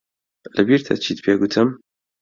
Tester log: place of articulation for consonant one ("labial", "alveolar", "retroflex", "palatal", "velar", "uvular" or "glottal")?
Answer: alveolar